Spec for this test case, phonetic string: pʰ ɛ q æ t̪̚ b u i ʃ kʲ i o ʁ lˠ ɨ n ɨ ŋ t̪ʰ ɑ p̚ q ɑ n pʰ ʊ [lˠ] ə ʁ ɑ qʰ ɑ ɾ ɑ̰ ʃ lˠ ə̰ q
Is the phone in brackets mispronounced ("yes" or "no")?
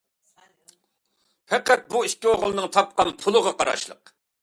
no